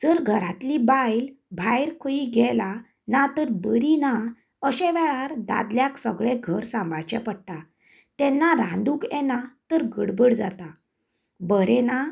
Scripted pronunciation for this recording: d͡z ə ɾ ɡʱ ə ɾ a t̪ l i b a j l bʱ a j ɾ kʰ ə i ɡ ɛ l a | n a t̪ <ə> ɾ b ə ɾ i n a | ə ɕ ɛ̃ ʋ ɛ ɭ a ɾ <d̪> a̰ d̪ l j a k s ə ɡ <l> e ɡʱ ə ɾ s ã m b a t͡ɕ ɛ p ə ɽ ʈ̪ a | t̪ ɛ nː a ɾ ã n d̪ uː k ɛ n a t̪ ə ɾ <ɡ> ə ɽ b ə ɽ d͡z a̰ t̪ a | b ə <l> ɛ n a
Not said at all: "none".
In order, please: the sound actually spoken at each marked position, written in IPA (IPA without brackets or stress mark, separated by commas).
ə, d̪, ɭ, ɡ, ɾ